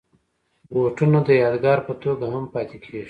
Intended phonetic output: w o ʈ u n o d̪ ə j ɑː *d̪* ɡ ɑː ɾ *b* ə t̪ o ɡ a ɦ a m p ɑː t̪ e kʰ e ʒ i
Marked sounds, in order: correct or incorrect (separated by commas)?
correct, incorrect